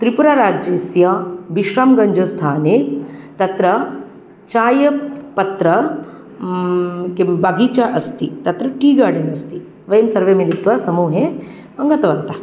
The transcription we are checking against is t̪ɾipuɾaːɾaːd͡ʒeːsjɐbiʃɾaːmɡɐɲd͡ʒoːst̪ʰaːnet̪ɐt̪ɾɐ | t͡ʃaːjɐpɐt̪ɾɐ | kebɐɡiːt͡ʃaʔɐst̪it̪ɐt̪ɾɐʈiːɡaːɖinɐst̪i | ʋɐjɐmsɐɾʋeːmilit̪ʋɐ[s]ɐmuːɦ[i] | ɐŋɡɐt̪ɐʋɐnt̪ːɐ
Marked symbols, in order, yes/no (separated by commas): yes, no